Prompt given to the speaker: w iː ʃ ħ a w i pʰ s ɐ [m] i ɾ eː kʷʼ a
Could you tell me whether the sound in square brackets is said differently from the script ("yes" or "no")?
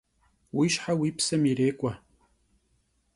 no